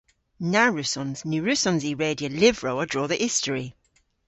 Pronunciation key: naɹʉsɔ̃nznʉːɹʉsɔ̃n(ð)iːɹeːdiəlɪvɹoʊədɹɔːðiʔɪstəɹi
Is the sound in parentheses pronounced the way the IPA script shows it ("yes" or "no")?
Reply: no